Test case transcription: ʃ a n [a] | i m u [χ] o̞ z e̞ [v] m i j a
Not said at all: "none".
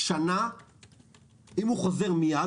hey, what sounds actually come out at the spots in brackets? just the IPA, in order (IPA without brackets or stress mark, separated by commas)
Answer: a, χ, ʁ